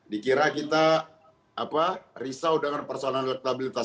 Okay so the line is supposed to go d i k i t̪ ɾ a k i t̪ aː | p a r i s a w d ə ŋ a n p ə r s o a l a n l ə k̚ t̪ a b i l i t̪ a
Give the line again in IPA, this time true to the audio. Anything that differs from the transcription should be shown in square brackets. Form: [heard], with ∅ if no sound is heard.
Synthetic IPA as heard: d i k i [∅] ɾ a k i t̪ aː | p a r i s a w d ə ŋ a n p ə r s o a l a n l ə k̚ t̪ a b i l i t̪ a